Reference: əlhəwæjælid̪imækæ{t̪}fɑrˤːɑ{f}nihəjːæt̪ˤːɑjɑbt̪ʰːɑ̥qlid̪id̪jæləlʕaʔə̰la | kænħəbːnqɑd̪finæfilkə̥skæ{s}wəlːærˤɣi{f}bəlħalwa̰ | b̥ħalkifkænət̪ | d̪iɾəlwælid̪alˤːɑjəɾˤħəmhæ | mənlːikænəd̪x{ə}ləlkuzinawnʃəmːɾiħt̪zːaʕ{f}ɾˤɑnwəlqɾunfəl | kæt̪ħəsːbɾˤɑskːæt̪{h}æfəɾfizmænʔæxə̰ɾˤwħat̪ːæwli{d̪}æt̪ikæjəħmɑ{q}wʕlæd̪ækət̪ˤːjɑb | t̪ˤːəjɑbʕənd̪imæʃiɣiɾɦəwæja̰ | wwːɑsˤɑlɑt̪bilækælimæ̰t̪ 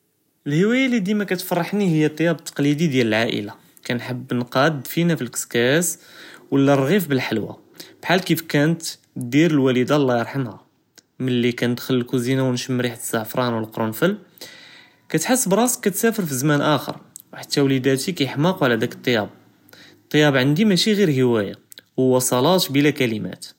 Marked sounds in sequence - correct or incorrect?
correct, incorrect: ħ, correct, correct, correct, correct, incorrect: s, correct, correct

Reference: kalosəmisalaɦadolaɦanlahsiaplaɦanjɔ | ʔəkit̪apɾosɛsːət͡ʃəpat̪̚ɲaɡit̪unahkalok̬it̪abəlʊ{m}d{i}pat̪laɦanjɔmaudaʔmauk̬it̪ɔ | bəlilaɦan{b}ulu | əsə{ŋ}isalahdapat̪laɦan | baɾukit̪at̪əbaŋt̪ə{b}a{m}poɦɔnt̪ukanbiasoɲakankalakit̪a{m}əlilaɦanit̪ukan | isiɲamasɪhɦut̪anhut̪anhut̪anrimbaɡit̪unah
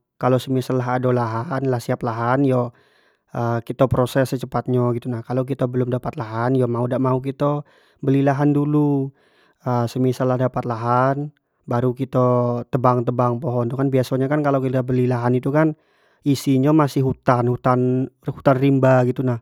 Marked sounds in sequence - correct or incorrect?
correct, incorrect: a, incorrect: d, incorrect: m, correct, incorrect: ŋ, incorrect: b

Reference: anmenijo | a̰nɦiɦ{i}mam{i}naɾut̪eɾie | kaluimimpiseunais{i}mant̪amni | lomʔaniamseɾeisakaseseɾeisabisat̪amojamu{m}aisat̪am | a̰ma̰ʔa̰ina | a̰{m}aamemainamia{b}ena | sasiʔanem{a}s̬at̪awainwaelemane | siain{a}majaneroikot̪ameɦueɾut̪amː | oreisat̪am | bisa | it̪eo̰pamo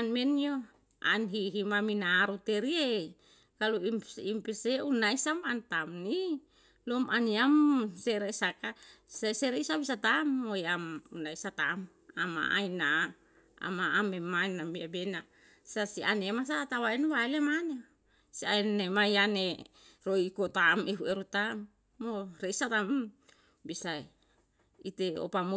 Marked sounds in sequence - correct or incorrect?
correct, correct, incorrect: a, incorrect: n, correct, correct, correct, incorrect: e

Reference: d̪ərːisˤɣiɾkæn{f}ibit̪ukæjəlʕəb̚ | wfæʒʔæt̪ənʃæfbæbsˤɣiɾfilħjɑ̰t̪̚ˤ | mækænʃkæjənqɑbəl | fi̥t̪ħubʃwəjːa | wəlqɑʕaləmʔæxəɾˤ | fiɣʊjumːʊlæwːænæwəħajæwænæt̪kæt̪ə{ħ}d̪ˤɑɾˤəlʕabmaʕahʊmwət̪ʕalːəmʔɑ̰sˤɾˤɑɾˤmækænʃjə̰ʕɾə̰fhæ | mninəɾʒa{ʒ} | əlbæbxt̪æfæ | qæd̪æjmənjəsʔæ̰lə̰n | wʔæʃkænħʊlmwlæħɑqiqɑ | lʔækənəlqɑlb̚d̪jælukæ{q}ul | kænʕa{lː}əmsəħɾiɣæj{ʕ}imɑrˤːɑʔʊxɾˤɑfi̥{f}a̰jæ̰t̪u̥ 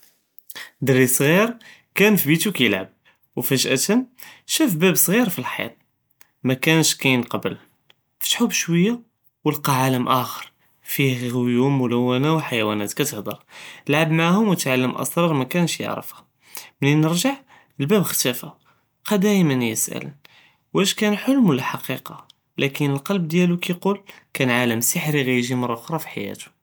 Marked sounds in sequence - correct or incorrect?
correct, incorrect: h, incorrect: ʕ, correct, incorrect: l, incorrect: ʒ, incorrect: ħ

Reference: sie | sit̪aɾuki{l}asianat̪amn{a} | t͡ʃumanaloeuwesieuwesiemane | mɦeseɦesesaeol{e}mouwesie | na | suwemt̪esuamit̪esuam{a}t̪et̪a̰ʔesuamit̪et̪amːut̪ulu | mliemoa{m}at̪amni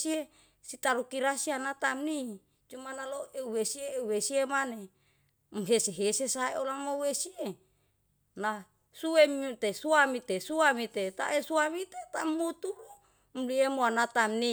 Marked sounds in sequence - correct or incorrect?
incorrect: ɾ, incorrect: i, incorrect: a, incorrect: i, incorrect: n

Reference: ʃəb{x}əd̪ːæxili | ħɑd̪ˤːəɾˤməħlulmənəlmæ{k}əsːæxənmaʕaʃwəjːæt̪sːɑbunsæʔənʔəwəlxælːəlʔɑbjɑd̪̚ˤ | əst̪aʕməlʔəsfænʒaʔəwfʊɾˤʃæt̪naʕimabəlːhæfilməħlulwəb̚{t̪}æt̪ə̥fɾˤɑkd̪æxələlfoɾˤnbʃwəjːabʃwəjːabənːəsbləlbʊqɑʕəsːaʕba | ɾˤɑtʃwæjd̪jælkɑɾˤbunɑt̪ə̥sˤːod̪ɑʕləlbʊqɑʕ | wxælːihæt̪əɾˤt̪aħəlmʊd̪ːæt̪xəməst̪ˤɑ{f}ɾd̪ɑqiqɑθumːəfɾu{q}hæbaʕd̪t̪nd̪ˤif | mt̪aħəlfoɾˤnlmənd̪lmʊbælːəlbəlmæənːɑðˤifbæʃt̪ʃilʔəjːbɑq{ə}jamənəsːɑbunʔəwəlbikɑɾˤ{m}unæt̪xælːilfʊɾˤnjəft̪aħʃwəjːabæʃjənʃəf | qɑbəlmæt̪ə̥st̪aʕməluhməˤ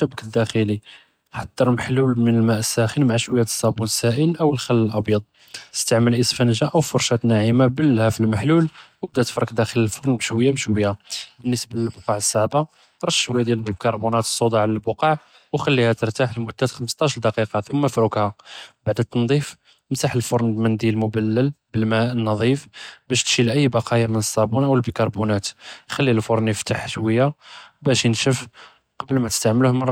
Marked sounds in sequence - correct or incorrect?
incorrect: k, incorrect: ʔ, incorrect: d̪, incorrect: ʃ, incorrect: k, incorrect: ɑ, incorrect: b

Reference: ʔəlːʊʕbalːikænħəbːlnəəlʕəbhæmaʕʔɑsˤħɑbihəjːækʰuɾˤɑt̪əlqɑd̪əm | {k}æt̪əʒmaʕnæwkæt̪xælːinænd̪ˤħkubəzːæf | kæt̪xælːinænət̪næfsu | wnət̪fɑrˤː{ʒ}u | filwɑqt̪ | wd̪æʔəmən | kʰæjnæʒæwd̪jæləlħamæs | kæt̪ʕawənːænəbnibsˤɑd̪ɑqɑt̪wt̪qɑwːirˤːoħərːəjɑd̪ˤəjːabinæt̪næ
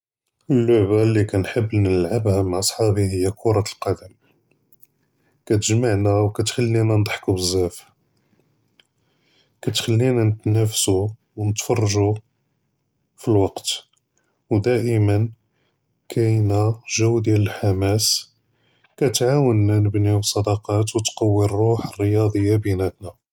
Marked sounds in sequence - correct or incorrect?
correct, correct

